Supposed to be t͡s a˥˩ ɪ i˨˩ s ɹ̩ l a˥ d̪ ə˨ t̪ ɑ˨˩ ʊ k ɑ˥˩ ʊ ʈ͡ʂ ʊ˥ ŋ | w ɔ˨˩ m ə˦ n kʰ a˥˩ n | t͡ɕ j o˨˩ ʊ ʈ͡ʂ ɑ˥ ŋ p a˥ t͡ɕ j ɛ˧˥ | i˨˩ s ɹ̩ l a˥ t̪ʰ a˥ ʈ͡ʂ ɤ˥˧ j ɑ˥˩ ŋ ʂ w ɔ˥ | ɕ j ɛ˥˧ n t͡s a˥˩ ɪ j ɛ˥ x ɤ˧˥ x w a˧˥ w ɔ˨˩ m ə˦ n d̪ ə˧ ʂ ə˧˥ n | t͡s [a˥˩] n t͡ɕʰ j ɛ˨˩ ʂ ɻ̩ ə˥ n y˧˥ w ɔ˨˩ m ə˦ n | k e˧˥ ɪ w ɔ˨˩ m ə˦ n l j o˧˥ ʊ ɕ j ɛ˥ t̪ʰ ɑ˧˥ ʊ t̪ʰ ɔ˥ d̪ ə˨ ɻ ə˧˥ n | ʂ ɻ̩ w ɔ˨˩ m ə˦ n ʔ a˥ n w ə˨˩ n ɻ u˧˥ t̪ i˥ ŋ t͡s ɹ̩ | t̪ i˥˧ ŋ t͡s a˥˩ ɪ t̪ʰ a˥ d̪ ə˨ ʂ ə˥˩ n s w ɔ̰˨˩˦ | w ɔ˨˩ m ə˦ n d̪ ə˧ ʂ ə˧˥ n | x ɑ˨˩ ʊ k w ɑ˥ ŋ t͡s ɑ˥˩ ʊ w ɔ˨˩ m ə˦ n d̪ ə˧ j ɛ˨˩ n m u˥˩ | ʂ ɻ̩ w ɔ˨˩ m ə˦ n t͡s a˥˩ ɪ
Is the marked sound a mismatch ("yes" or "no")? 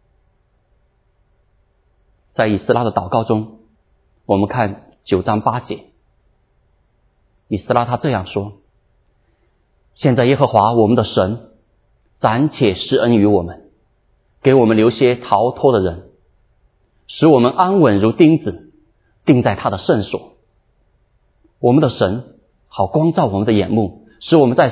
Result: yes